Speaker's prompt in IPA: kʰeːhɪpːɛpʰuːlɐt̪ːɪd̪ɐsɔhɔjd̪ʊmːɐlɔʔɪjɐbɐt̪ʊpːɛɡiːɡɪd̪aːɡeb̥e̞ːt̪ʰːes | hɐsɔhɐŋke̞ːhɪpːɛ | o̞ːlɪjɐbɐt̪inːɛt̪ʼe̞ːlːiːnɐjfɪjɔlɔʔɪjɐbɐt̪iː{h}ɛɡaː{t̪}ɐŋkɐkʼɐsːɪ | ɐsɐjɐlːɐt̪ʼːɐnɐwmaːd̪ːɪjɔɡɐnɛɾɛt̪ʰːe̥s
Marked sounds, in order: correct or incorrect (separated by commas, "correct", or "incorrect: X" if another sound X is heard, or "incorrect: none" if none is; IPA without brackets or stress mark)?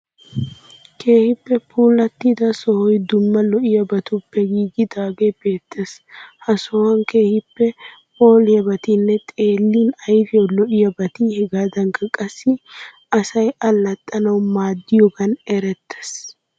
correct, incorrect: d̪